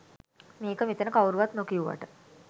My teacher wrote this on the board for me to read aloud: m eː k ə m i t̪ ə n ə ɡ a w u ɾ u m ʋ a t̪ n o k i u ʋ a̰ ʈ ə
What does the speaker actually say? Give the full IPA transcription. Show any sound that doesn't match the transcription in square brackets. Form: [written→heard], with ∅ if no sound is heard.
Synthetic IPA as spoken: m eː k ə m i t̪ ə n ə [ɡ→k] a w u ɾ u [m→∅] ʋ a t̪ n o k i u ʋ a̰ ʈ ə